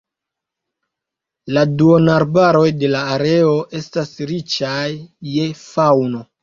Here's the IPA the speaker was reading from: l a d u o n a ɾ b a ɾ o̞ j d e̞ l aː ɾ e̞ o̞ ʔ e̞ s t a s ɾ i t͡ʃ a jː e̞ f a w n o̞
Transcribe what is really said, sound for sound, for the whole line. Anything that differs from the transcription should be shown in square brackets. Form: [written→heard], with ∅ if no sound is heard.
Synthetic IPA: l a d u o n a ɾ b a ɾ o̞ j d e̞ l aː ɾ e̞ o̞ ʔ e̞ s t a s ɾ i t͡ʃ a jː e̞ f a w n o̞